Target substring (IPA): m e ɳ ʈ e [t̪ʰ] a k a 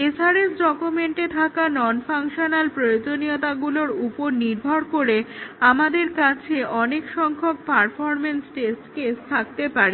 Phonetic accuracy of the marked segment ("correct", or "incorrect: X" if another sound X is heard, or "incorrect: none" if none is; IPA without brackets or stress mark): correct